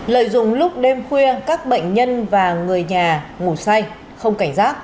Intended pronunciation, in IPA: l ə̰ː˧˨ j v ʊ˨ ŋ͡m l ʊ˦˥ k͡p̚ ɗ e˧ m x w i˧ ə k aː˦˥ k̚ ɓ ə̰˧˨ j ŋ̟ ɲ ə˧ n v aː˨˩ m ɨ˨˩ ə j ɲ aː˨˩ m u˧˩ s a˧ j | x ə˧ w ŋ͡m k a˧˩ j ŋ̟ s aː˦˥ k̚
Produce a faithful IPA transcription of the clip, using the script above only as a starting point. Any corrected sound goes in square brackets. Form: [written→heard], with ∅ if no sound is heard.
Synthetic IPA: l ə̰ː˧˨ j [v→z] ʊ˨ ŋ͡m l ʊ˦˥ k͡p̚ ɗ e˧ m x w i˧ ə k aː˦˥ k̚ ɓ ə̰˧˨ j ŋ̟ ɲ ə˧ n v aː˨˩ [m→ŋ] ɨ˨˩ ə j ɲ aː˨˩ [m→ŋ] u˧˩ s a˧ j | x ə˧ w ŋ͡m k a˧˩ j ŋ̟ [s→z] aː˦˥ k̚

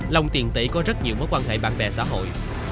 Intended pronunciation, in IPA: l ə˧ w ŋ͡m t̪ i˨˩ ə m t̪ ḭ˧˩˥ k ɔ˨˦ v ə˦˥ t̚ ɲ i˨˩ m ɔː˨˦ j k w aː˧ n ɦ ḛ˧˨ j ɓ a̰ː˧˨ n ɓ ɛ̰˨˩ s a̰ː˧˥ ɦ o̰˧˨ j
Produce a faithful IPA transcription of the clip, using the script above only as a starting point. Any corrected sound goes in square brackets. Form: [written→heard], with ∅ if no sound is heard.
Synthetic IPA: l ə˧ w ŋ͡m t̪ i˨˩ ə [m→n] t̪ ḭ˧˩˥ k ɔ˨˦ [v→z] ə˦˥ t̚ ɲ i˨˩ m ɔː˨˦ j k w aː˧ n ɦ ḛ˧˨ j ɓ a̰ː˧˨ n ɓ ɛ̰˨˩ s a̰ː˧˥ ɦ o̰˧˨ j

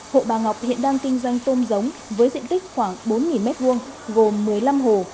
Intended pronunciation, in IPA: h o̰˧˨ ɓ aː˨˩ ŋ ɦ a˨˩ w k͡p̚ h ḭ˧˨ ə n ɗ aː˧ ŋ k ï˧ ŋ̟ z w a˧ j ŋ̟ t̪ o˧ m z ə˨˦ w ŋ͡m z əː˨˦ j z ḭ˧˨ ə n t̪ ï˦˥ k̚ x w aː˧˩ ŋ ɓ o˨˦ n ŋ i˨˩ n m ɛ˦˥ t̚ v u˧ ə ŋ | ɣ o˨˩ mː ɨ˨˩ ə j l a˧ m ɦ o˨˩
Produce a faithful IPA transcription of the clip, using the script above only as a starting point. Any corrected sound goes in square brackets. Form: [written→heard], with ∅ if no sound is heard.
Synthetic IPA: h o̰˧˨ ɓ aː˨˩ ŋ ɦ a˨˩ w k͡p̚ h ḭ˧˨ ə n ɗ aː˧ ŋ k ï˧ ŋ̟ z w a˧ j ŋ̟ t̪ o˧ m z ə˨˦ w ŋ͡m [z→v] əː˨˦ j z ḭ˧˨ ə n t̪ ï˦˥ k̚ x w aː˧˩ ŋ ɓ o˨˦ n ŋ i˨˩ n m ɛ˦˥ t̚ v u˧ ə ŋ | ɣ o˨˩ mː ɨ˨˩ ə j l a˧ m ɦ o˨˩

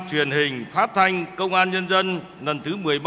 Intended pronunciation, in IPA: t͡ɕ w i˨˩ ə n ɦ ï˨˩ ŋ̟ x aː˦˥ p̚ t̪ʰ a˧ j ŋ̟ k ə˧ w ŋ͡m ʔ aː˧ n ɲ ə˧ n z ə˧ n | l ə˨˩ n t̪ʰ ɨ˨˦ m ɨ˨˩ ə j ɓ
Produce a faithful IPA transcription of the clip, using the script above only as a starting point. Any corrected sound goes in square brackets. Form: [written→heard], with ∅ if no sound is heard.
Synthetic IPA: t͡ɕ w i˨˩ ə n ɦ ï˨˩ ŋ̟ [x→f] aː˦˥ [p̚→t̚] t̪ʰ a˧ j ŋ̟ k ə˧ w ŋ͡m ʔ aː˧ n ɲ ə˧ n z ə˧ n | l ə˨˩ n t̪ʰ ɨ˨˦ m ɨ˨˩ ə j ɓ

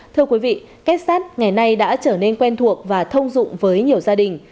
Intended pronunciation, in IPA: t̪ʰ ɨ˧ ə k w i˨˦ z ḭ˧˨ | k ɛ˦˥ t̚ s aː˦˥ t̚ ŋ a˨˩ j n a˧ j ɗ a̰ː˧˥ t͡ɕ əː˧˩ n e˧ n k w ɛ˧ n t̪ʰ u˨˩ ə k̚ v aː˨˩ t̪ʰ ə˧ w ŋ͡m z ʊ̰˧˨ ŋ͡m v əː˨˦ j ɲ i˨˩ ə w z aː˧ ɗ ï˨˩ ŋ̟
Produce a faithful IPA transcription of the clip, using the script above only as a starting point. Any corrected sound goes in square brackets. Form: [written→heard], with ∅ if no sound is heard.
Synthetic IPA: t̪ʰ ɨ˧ ə k w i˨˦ [z→v] ḭ˧˨ | k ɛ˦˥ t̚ s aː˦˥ t̚ ŋ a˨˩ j n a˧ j ɗ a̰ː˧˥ t͡ɕ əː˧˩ n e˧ n k w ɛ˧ n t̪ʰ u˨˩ ə k̚ v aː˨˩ t̪ʰ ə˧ w ŋ͡m z ʊ̰˧˨ ŋ͡m v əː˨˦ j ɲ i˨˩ ə w z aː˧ ɗ ï˨˩ ŋ̟

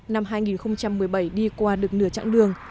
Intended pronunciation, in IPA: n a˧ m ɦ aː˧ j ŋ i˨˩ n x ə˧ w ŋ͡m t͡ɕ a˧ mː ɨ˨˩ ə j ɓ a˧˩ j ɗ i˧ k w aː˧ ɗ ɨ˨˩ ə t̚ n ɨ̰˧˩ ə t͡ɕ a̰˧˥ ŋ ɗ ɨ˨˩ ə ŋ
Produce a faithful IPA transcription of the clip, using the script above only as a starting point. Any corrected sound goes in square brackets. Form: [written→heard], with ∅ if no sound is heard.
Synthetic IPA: n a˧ m ɦ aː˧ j ŋ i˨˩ n x ə˧ w ŋ͡m t͡ɕ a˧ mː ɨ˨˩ ə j ɓ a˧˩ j ɗ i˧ k w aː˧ ɗ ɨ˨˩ ə [t̚→k̚] n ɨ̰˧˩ ə t͡ɕ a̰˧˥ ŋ ɗ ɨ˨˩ ə ŋ

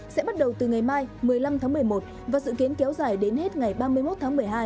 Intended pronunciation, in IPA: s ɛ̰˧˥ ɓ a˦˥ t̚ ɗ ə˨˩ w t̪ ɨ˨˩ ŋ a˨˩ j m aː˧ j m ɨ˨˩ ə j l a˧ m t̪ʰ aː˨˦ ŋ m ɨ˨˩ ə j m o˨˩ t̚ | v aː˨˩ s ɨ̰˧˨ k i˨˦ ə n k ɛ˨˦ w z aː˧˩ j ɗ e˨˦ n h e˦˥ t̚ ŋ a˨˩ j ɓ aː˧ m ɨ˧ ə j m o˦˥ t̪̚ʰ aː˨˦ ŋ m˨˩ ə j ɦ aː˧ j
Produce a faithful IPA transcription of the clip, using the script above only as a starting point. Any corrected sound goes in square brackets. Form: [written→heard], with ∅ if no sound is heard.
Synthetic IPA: s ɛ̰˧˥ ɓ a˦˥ t̚ ɗ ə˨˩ w t̪ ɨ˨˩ ŋ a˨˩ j m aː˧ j m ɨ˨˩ ə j l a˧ m t̪ʰ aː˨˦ ŋ m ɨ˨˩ ə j m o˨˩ t̚ | v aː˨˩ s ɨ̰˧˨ k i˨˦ ə n k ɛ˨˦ w z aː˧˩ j ɗ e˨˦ n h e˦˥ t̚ ŋ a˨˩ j ɓ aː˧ m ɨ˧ ə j m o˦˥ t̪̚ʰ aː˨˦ ŋ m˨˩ ə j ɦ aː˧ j

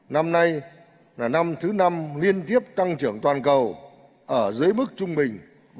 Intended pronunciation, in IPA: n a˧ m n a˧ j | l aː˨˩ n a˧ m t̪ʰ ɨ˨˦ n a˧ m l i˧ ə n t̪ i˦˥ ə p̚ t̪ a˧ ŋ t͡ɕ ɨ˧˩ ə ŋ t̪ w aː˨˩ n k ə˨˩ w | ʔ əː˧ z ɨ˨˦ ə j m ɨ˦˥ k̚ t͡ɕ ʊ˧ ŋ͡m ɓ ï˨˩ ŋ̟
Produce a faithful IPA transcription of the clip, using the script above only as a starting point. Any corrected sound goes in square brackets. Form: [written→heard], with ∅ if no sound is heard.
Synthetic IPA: n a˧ m n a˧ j | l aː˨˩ n a˧ m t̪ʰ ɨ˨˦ n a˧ m l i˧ ə n t̪ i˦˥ ə p̚ t̪ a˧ ŋ t͡ɕ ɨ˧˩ ə ŋ t̪ w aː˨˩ n k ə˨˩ w | ʔ [əː˧→əː˧˩] z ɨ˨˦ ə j m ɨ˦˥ k̚ t͡ɕ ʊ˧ ŋ͡m ɓ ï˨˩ ŋ̟

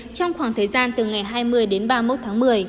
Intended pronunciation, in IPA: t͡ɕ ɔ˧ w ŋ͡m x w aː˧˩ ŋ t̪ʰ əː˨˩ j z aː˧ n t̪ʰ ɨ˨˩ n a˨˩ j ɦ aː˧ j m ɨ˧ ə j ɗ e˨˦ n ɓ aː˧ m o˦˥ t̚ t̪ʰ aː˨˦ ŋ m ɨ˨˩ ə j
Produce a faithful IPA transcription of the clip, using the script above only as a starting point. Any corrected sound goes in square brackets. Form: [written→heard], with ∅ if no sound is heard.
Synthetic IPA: t͡ɕ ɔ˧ w ŋ͡m x w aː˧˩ ŋ t̪ʰ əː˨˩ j z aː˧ n [t̪ʰ→t̪] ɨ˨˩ [n→ŋ] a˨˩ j ɦ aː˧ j m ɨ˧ ə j ɗ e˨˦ n ɓ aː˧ m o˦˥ t̚ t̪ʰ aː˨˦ ŋ m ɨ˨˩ ə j

